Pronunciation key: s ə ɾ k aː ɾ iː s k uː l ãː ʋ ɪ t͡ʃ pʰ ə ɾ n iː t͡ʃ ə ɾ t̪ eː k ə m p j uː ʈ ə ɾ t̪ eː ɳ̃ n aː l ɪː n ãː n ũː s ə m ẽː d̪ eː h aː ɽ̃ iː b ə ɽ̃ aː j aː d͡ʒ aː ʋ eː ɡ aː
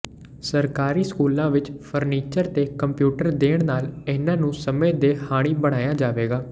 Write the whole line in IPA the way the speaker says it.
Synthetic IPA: s ə ɾ k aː ɾ iː s k uː l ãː ʋ ɪ t͡ʃ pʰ ə ɾ n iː t͡ʃ ə ɾ t̪ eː k ə m p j uː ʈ ə ɾ d̪ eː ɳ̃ n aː l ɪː n ãː n ũː s ə m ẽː d̪ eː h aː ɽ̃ iː b ə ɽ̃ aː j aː d͡ʒ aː ʋ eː ɡ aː